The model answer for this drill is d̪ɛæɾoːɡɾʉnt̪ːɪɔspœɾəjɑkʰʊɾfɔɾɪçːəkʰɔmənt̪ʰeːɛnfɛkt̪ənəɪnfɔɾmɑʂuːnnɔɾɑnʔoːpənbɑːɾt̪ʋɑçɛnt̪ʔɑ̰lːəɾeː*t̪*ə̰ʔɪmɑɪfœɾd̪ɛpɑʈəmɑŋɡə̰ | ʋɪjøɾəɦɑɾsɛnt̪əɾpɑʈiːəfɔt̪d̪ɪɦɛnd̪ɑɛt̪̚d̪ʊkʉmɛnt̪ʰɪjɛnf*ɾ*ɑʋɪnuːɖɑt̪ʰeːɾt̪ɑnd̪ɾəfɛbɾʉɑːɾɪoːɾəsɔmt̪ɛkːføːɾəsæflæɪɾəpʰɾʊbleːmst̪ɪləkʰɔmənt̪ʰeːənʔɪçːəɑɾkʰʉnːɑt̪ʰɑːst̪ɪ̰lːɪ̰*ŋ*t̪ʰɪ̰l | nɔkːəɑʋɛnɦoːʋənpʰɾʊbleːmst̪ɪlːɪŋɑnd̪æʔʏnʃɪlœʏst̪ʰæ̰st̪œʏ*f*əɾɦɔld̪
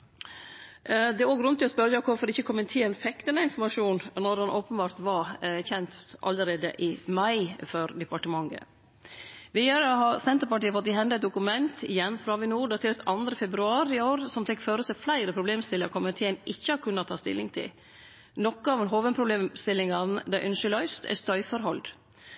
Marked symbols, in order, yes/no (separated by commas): no, yes, yes, yes